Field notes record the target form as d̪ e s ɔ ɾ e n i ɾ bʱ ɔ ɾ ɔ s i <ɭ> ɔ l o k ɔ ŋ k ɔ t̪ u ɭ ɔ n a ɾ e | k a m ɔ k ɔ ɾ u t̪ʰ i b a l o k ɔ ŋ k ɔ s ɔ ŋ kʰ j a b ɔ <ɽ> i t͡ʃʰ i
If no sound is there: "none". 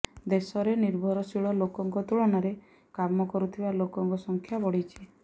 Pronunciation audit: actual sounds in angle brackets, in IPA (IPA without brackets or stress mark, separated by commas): ɭ, ɽ